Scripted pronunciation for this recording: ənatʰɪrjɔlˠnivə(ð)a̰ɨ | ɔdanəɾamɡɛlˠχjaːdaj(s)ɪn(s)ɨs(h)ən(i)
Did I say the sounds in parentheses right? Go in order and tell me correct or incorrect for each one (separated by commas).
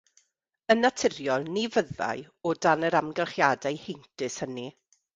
correct, incorrect, incorrect, correct, correct